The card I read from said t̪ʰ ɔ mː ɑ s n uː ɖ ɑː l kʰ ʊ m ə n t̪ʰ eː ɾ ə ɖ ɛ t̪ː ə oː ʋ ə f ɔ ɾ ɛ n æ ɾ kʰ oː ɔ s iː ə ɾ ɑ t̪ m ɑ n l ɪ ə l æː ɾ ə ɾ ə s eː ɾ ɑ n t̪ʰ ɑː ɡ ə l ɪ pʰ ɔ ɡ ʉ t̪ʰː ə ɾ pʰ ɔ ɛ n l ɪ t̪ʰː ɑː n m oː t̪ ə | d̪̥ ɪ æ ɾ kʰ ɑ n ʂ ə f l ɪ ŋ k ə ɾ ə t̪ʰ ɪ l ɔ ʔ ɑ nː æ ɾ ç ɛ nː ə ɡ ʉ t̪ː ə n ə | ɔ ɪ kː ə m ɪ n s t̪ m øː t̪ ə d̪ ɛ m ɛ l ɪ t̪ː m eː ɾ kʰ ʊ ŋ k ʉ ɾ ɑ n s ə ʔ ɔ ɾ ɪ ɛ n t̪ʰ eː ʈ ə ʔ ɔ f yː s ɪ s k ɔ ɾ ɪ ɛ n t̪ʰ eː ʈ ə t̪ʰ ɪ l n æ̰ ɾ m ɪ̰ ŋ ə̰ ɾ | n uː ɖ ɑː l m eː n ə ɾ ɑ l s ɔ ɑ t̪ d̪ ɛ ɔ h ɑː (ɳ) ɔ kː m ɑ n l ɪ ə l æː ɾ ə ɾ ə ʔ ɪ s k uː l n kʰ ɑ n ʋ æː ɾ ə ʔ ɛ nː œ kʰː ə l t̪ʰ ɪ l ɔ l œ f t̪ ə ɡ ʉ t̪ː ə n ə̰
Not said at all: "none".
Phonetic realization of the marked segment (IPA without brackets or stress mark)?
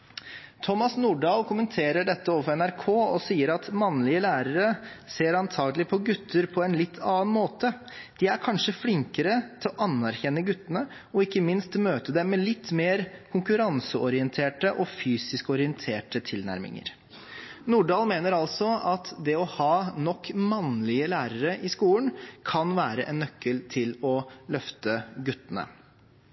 n